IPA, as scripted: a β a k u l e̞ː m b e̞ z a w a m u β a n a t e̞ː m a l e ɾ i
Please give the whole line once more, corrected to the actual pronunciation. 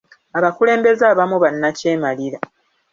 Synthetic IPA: a β a k u l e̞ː m b e̞ z a β a m u β a nː a c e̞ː m a l i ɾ a